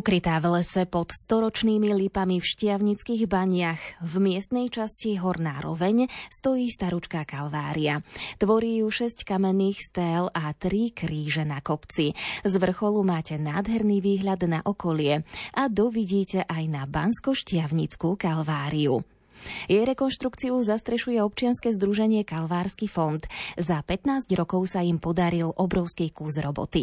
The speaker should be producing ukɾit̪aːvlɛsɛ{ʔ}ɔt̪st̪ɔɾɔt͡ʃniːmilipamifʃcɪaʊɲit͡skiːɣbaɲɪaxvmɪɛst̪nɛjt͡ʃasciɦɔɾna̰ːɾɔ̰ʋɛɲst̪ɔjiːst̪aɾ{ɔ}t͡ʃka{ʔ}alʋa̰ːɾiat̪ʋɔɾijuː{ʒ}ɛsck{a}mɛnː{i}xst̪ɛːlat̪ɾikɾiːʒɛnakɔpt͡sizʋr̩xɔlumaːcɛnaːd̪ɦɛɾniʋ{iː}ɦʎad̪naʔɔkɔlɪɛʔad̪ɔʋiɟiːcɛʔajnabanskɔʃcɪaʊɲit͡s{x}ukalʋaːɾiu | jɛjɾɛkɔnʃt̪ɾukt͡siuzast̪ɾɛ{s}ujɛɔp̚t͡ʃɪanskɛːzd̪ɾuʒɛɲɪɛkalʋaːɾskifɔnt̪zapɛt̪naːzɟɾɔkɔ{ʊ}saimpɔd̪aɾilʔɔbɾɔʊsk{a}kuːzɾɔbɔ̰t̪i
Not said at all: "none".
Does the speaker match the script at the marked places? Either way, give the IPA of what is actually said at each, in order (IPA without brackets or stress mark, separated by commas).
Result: p, u, k, ʃ, a, iː, iː, k, ʃ, ʊ, i